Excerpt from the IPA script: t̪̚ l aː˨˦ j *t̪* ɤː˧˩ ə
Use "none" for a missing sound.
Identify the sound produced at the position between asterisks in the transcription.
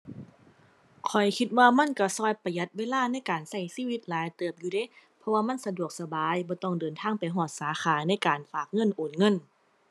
t̪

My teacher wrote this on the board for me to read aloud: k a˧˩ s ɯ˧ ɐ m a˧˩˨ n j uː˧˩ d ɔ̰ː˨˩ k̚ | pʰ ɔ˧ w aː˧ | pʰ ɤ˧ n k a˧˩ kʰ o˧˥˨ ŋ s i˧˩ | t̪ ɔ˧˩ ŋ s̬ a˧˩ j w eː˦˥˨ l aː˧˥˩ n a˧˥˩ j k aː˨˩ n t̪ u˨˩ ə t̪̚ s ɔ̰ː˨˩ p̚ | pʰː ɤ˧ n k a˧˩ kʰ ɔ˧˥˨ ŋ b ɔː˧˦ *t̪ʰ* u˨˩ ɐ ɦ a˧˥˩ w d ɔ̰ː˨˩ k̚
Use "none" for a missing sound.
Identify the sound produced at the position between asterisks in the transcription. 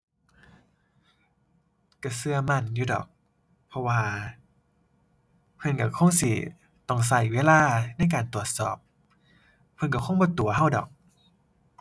t̪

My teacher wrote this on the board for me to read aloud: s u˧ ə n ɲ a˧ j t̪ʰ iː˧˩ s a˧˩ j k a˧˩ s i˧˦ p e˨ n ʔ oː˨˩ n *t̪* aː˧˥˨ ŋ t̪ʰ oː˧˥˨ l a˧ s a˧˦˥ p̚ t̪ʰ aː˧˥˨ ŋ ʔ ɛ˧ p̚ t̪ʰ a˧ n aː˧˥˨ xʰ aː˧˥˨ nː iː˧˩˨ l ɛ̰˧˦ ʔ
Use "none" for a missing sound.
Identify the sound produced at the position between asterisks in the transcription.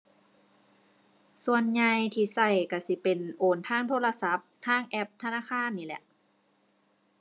t̪ʰ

